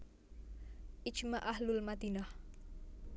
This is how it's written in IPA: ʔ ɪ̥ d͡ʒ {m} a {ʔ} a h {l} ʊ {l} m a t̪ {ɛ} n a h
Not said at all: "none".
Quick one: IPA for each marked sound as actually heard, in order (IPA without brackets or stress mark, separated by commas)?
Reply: m, ʔ, l, l, i